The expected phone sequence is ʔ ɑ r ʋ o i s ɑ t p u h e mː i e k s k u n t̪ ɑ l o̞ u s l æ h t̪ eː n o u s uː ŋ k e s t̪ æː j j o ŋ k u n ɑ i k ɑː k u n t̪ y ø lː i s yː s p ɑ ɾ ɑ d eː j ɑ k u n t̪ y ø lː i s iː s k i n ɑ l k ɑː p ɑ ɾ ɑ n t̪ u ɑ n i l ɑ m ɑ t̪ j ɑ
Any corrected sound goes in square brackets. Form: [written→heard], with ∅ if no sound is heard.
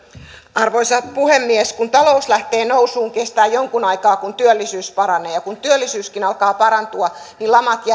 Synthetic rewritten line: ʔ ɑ r ʋ o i s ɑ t p u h e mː i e [k→∅] s k u n t̪ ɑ l o̞ u s l æ h t̪ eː n o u s uː ŋ k e s t̪ æː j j o ŋ k u n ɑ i k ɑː k u n t̪ y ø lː i s yː s p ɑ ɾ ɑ [d→n] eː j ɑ k u n t̪ y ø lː i s [iː→yː] s k i n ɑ l k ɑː p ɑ ɾ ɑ n t̪ u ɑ n i l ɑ m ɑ t̪ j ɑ